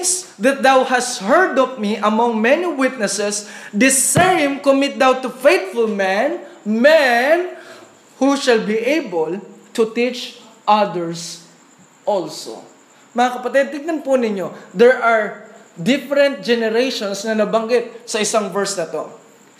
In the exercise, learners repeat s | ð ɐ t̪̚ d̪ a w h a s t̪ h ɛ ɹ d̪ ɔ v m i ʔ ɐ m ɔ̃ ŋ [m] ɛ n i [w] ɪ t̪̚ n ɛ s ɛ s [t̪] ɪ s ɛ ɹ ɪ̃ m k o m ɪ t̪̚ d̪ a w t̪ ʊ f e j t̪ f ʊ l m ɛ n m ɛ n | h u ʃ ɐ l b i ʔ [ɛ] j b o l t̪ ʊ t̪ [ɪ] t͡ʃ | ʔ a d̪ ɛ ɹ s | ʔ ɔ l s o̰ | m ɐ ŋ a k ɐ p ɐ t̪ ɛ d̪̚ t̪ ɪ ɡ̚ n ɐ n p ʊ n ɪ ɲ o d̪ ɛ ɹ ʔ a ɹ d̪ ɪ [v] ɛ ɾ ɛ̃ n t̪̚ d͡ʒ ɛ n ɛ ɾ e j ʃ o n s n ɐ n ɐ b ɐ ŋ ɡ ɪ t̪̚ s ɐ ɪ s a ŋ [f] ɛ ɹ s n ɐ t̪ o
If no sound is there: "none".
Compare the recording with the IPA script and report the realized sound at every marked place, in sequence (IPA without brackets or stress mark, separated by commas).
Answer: m, w, d̪, e, i, f, v